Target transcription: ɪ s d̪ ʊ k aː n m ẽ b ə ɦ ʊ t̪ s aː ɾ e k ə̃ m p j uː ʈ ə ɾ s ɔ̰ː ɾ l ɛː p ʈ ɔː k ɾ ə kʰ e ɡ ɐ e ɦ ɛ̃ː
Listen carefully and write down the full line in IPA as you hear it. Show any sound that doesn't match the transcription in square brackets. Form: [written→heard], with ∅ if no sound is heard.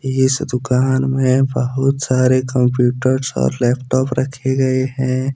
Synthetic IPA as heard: ɪ s d̪ ʊ k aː n m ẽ b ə ɦ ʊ t̪ s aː ɾ e k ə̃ m p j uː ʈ ə ɾ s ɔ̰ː ɾ l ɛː p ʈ ɔː [k→p] ɾ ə kʰ e ɡ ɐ e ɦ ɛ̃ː